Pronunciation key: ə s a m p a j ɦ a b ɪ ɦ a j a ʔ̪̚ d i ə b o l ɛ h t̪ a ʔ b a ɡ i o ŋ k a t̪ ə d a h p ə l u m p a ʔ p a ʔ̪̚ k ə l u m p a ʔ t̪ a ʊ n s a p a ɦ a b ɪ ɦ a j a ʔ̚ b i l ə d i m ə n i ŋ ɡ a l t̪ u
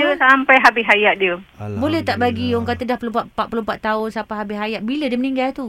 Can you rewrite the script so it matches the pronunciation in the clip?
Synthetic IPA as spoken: ə s a m p a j ɦ a b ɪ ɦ a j a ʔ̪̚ d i ə b o l ɛ h t̪ a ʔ b a ɡ i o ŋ k a t̪ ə d a h p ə l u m p a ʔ p a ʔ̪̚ p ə l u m p a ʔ t̪ a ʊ n s a p a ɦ a b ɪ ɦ a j a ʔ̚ b i l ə d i m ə n i ŋ ɡ a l t̪ u